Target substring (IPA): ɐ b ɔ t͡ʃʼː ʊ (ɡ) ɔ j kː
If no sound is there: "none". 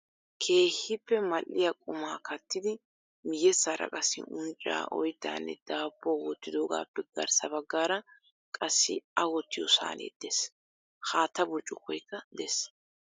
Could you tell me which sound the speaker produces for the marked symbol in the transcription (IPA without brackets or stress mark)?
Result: k